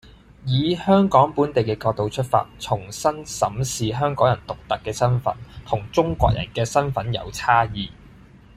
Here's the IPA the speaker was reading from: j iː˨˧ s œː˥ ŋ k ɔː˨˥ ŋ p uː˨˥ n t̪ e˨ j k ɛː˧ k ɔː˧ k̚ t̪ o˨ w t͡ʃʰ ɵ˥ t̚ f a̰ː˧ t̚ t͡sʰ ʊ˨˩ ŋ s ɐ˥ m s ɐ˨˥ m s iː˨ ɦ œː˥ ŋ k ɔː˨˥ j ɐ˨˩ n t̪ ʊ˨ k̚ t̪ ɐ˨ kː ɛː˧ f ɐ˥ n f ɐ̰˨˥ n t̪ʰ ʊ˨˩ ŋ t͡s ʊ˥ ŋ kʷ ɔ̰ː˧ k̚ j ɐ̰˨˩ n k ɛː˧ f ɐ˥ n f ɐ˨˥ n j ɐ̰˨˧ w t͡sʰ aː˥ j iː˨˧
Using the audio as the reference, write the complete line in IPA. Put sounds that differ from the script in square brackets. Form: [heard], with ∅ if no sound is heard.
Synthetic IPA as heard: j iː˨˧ [h] œː˥ ŋ k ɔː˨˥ ŋ p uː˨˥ n t̪ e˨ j k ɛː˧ k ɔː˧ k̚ t̪ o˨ w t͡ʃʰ ɵ˥ t̚ f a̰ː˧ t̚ t͡sʰ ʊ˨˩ ŋ s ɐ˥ [n] s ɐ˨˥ m s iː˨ ɦ œː˥ ŋ k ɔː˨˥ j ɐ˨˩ n t̪ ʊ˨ k̚ t̪ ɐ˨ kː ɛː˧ [s] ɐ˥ n f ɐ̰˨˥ n t̪ʰ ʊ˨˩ ŋ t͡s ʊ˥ ŋ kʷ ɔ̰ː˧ k̚ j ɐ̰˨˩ n k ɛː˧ [s] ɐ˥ n f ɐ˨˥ n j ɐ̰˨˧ w t͡sʰ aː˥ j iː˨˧